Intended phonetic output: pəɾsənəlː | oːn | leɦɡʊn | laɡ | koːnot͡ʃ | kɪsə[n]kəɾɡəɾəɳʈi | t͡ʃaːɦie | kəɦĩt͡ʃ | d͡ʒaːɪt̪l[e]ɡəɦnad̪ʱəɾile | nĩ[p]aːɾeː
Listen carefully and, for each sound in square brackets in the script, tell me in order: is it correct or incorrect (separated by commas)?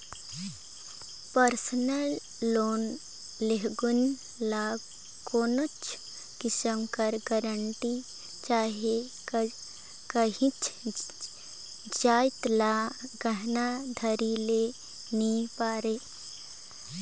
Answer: incorrect, incorrect, correct